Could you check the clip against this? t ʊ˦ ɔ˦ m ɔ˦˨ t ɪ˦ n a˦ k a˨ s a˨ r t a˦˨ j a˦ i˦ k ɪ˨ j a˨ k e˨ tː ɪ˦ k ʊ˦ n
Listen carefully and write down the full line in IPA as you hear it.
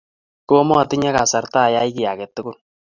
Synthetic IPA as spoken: k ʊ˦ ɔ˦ m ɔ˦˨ t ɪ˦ ɲ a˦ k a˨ s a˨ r t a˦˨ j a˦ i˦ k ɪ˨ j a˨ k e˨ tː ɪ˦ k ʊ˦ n